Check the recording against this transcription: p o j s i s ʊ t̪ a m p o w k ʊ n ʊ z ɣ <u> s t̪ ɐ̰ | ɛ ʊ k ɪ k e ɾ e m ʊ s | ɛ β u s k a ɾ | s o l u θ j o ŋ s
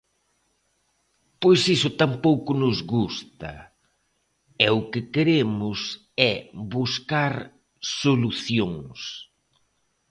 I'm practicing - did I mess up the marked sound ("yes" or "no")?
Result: no